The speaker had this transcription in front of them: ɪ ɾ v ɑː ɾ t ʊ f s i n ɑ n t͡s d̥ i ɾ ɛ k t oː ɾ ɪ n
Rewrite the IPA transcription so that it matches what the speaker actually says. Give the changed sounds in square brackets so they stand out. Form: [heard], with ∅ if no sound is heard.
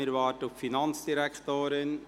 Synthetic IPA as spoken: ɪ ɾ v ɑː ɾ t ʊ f [f] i n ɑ n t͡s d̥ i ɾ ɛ k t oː ɾ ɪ n